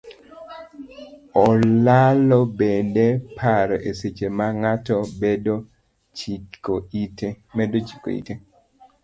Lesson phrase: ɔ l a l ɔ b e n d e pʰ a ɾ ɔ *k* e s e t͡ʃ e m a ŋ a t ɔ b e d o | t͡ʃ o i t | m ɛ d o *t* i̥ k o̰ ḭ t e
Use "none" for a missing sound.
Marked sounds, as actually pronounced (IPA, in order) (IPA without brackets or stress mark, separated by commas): ʔ, t͡ʃ